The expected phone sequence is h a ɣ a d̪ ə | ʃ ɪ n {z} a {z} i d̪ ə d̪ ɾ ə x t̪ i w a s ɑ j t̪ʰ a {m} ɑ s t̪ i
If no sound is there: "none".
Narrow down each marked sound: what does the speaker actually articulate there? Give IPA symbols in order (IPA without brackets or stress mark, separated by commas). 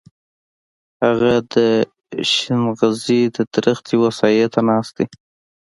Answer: ɣ, z, n